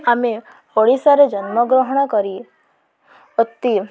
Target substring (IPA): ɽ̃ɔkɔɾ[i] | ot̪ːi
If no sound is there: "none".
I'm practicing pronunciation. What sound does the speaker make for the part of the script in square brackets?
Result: i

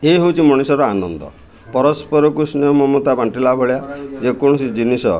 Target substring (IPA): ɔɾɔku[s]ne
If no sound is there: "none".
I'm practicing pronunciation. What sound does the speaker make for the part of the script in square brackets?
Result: s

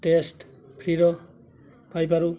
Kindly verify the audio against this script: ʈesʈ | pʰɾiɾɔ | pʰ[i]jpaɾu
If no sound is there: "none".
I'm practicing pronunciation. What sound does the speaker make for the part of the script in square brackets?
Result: a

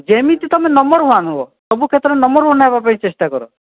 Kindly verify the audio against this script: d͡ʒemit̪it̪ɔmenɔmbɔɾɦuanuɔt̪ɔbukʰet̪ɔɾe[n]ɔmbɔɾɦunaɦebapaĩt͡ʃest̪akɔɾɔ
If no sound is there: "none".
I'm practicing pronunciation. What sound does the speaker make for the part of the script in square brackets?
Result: n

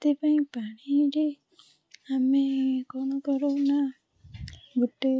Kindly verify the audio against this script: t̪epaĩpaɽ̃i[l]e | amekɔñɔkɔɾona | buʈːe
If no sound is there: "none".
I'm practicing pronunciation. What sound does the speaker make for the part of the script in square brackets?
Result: ɾ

